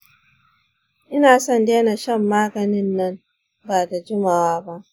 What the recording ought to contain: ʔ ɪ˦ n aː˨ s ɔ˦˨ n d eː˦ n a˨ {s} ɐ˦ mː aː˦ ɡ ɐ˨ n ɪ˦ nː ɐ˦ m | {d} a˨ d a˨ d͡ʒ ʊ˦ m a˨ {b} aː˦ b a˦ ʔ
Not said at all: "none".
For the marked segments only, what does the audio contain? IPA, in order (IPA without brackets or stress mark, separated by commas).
ʃ, b, w